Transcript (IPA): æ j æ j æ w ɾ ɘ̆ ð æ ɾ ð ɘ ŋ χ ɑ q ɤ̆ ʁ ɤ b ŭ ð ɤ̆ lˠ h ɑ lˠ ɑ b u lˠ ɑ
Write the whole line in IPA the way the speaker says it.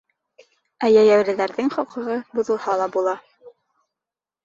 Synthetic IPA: æ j æ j æ w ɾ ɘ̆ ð æ ɾ ð ɘ ŋ χ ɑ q ɤ̆ ʁ ɤ b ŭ ð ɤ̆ lˠ h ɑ lˠ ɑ b u lˠ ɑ